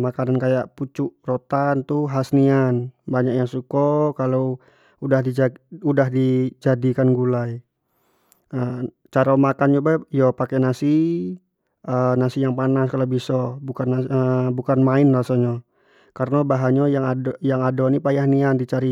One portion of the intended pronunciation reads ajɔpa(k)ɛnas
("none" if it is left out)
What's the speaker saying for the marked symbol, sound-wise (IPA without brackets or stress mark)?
k